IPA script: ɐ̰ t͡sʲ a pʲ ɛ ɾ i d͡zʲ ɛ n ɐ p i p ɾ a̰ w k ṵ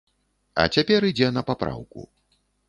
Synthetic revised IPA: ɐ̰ t͡sʲ a pʲ ɛ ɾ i d͡zʲ ɛ n ɐ p a p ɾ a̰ w k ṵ